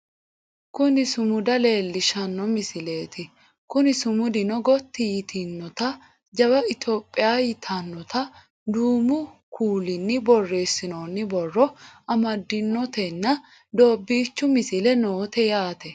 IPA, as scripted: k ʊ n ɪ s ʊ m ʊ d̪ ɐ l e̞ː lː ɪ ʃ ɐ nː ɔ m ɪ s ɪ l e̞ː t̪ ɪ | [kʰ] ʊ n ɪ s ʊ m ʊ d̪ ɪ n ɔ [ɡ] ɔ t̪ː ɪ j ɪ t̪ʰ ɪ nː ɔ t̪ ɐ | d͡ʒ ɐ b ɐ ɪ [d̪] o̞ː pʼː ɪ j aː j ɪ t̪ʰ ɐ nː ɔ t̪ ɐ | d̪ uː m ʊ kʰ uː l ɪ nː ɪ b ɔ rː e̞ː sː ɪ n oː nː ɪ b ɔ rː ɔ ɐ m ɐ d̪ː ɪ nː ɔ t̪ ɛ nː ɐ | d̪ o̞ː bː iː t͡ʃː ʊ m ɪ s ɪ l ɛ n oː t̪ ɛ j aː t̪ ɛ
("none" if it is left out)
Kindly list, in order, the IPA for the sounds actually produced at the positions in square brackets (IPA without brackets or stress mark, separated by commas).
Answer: k, ɡ, t̪